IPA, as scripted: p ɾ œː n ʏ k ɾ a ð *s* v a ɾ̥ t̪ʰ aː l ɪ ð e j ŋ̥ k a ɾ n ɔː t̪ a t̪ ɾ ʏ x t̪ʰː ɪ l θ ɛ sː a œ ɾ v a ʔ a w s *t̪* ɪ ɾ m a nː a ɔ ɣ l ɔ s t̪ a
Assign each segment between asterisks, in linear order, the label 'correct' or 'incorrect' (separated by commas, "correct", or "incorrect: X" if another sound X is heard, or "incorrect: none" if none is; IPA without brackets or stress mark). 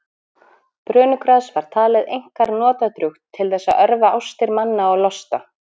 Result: correct, correct